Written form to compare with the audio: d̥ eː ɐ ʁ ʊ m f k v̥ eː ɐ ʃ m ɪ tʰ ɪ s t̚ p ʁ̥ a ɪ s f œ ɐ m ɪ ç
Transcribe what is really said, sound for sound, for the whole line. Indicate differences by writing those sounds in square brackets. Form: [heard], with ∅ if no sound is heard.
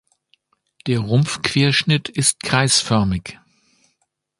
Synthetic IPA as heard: d̥ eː ɐ ʁ ʊ m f k v̥ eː ɐ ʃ [n] ɪ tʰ ɪ s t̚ [k] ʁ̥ a ɪ s f œ ɐ m ɪ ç